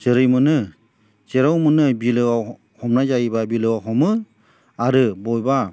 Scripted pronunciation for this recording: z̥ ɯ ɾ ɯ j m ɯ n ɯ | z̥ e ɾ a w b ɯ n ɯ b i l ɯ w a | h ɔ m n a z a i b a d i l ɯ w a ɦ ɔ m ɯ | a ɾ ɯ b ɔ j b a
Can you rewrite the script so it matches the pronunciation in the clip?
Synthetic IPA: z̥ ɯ ɾ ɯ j m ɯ n ɯ | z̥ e ɾ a w m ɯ n ɯ b i l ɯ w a | h ɔ m n a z a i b a b i l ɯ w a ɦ ɔ m ɯ | a ɾ ɯ b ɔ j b a